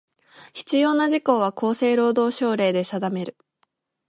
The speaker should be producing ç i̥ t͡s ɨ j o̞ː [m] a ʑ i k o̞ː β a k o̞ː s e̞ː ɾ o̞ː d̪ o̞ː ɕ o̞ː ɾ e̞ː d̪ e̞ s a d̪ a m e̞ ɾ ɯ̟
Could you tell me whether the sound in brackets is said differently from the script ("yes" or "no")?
yes